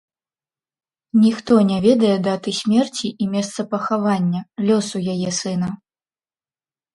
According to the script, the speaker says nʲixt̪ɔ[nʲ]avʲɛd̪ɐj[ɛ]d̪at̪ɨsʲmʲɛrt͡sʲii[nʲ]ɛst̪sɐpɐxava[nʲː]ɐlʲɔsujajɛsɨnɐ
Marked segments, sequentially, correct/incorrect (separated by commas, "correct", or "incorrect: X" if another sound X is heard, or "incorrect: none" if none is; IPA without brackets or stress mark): correct, correct, incorrect: mʲ, correct